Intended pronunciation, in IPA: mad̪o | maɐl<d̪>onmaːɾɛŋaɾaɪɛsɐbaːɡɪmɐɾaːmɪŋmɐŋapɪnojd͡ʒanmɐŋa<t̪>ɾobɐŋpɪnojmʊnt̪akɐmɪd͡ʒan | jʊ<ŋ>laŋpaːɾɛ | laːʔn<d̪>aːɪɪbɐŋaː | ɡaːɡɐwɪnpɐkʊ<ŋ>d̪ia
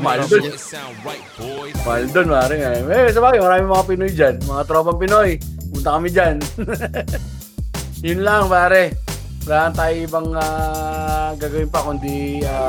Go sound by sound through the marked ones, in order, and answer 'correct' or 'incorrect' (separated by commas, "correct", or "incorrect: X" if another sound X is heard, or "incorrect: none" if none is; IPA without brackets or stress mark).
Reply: correct, correct, incorrect: n, incorrect: t̪, incorrect: n